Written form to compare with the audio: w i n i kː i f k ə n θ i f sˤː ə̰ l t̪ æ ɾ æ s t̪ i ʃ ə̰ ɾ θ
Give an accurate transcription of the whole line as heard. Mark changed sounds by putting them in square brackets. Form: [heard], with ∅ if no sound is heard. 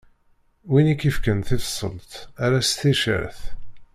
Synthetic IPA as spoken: w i n i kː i f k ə n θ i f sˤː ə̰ l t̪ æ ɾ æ s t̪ i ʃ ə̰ ɾ θ